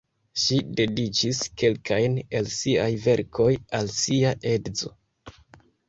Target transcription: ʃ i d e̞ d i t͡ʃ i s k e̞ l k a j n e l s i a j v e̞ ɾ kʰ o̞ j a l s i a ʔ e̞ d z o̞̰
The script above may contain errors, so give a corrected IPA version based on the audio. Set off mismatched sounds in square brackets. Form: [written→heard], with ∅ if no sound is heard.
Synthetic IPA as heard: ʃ i d e̞ d i t͡ʃ i s k e̞ l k a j n e l s i a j v e̞ ɾ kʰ o̞ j a l s i a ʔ e̞ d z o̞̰